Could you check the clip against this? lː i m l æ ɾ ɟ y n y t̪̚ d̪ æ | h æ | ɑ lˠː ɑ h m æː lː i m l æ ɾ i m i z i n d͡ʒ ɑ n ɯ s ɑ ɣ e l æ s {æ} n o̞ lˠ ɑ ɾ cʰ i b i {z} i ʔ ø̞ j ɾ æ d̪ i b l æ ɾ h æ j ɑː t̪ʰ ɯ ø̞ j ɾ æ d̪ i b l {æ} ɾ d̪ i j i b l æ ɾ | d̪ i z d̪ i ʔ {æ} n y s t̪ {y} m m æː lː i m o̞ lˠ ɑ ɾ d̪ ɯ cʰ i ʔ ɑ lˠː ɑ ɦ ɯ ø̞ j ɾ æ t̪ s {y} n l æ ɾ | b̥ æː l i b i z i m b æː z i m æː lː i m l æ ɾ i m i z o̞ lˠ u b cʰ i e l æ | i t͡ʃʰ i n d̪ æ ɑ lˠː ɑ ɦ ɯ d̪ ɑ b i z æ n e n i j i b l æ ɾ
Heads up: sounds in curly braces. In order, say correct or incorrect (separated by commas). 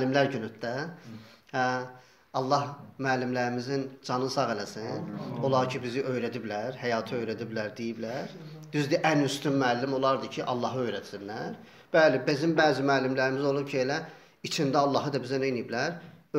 incorrect, correct, correct, correct, correct, incorrect